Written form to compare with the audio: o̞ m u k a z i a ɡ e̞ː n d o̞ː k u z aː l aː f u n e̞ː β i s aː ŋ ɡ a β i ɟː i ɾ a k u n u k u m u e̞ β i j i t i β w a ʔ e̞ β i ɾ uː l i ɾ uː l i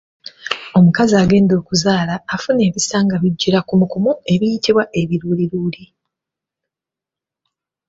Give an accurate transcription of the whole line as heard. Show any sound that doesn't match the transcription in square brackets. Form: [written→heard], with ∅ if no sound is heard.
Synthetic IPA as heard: o̞ m u k a z i a ɡ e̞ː n d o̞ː k u z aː l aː f u n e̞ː β i s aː ŋ ɡ a β i ɟː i ɾ a k u [n→m] u k u m u e̞ β i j i t i β w a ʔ e̞ β i ɾ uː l i ɾ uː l i